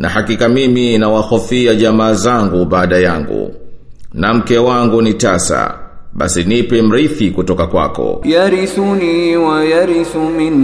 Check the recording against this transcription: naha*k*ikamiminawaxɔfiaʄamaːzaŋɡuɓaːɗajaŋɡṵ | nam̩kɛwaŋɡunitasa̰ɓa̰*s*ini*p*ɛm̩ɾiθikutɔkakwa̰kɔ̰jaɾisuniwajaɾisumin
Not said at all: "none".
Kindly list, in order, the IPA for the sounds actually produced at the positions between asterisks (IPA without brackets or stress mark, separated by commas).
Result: k, s, p